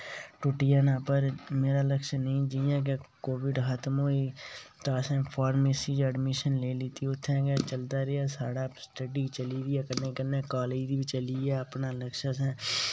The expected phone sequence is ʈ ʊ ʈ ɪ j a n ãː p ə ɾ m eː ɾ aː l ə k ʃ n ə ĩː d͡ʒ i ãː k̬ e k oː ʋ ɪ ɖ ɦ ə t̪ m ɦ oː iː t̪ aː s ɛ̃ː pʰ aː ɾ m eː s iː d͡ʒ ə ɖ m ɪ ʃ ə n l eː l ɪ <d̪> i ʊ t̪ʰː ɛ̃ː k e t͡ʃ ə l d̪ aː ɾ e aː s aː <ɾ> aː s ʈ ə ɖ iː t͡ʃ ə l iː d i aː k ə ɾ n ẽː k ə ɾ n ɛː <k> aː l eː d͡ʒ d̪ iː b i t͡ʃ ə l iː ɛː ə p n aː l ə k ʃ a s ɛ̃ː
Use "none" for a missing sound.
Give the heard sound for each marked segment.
t̪, ɽ, k

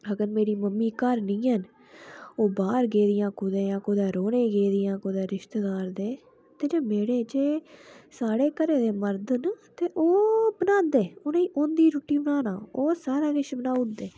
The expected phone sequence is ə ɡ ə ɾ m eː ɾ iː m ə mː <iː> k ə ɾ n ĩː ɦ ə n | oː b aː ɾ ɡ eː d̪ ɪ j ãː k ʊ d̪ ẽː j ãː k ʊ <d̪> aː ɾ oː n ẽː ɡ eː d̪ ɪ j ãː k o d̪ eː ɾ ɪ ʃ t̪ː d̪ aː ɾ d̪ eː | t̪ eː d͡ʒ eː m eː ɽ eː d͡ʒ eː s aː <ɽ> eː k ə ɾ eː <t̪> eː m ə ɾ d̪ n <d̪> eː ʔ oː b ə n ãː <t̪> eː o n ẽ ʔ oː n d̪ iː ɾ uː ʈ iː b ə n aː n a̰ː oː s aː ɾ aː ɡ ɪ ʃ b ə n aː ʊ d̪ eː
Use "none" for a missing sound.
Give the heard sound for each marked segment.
iː, d̪, ɽ, d̪, t̪, d̪

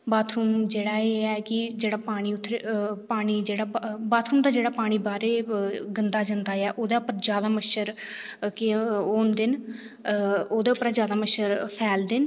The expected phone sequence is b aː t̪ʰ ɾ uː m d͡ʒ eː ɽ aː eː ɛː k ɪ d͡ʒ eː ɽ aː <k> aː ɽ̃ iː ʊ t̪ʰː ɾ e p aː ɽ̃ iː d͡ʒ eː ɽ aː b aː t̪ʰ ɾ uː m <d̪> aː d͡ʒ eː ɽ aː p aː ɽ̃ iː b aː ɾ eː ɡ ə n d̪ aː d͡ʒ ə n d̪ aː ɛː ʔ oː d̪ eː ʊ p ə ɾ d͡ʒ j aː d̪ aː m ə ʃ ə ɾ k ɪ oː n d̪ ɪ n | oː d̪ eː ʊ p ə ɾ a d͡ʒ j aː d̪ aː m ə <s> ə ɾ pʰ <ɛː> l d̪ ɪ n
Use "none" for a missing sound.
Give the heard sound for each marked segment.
p, d̪, ʃ, ɛː

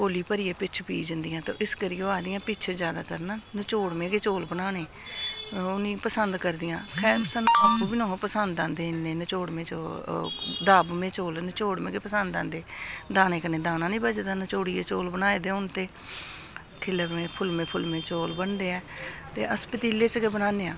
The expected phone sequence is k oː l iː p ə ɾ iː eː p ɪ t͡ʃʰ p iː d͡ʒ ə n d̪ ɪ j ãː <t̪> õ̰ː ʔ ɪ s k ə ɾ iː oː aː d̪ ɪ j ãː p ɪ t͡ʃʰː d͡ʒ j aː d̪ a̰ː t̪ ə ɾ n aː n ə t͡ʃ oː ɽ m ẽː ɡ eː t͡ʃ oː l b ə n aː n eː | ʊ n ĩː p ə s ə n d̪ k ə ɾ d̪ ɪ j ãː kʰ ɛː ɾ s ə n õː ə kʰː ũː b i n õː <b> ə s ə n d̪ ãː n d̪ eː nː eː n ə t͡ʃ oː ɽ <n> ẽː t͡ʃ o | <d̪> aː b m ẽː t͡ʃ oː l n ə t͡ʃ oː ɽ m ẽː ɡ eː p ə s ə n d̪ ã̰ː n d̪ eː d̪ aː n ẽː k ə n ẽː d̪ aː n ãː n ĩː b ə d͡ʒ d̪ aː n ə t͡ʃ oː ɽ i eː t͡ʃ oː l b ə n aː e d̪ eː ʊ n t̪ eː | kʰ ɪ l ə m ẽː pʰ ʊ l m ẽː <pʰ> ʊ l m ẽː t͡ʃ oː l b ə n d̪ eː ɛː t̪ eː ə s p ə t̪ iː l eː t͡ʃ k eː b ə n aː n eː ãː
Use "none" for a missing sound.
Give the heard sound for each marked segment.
t̪, p, m, d̪, pʰ

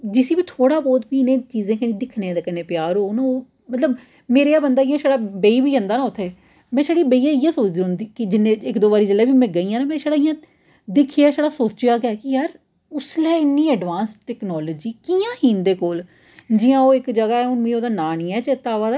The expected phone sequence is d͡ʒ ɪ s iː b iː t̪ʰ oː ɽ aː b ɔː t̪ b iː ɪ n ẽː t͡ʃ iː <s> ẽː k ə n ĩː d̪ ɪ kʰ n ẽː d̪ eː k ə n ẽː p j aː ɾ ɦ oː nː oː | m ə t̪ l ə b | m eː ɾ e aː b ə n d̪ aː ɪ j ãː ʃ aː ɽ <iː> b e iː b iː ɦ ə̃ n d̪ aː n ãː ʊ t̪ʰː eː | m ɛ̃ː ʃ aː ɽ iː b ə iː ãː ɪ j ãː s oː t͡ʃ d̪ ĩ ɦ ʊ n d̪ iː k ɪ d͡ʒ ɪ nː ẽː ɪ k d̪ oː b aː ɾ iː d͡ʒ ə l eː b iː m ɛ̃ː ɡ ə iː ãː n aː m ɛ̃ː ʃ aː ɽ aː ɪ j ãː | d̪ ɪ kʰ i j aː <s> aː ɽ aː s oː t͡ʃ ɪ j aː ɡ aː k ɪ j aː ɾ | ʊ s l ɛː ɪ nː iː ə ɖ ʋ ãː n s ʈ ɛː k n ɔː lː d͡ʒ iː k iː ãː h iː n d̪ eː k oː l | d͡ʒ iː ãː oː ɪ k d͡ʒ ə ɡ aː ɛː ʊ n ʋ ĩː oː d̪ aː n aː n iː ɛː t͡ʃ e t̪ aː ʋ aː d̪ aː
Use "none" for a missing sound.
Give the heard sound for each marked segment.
z, aː, ʃ

